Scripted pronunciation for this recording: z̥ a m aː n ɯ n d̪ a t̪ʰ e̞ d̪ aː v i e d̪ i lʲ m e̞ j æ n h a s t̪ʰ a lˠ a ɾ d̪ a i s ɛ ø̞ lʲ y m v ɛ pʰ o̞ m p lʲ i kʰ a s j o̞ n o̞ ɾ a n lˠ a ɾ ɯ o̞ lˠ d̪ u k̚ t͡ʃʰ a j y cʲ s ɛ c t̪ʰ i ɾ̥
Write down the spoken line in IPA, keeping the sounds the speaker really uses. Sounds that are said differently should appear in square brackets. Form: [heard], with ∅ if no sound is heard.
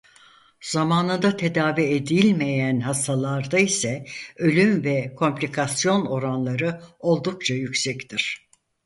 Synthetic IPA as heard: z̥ a m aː n ɯ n d̪ a t̪ʰ e̞ d̪ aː v i e d̪ i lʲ m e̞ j æ n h a s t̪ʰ a lˠ a ɾ d̪ a i s ɛ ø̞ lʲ y m v ɛ [kʰ] o̞ m p lʲ i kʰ a s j o̞ n o̞ ɾ a n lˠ a ɾ ɯ o̞ lˠ d̪ u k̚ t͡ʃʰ a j y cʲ s ɛ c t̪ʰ i ɾ̥